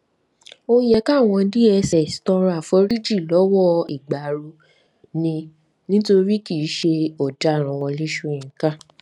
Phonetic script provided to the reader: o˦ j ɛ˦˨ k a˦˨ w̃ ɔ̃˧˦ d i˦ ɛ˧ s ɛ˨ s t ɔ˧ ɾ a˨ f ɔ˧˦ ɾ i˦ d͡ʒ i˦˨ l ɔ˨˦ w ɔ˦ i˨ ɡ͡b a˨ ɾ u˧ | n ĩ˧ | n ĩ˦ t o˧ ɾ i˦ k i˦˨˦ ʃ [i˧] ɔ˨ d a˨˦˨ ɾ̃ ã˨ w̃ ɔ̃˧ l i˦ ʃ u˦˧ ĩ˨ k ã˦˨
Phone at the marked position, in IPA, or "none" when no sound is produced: e˧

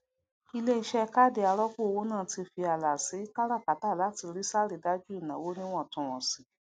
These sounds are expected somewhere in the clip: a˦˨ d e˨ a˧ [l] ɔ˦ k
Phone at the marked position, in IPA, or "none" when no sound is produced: ɾ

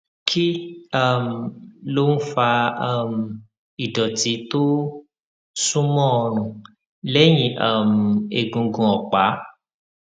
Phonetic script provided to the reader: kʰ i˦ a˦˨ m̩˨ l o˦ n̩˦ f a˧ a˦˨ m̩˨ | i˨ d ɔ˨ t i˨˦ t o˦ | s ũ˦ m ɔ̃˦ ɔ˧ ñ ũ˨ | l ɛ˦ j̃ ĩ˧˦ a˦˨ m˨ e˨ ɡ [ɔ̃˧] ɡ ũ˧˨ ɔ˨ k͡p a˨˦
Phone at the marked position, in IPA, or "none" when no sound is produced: ũ˧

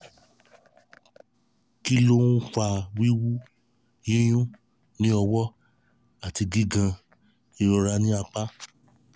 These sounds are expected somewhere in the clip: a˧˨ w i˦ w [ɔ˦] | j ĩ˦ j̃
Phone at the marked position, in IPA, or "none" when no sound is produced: u˦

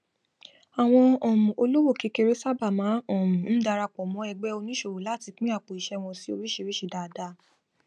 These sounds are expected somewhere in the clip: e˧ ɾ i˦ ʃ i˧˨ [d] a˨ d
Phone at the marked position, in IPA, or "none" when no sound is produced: d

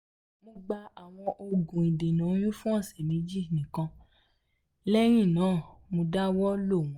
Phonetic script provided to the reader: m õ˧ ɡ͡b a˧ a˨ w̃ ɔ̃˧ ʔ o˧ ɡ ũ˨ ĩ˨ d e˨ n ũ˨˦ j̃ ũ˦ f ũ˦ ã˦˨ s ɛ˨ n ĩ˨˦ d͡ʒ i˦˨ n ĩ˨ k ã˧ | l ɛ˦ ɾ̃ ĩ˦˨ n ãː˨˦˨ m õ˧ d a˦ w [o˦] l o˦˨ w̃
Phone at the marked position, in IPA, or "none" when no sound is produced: ɔ˦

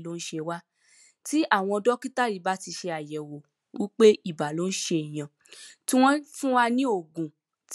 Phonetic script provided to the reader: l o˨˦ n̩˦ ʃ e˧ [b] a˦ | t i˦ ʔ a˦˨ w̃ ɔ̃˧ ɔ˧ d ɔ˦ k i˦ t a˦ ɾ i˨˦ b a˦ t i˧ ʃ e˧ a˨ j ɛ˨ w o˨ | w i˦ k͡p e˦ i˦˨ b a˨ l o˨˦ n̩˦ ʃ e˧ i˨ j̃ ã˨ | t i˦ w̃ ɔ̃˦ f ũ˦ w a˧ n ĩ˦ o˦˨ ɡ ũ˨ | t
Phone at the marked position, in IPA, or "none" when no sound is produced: w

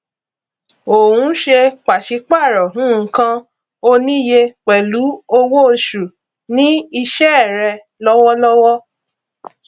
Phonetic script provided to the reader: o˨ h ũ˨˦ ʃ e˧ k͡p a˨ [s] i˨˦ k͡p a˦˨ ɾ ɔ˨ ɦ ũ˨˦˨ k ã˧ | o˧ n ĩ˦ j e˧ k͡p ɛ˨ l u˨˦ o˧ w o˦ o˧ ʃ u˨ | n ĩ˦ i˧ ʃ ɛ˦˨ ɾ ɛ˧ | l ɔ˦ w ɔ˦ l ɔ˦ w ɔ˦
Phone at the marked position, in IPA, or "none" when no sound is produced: ʃ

